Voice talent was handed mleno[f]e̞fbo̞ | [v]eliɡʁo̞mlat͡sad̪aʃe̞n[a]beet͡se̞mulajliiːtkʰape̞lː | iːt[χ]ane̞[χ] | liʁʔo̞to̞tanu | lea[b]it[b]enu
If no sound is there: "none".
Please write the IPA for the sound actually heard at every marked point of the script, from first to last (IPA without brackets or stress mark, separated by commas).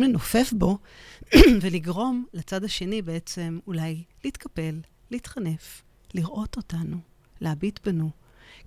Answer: f, v, i, χ, f, b, b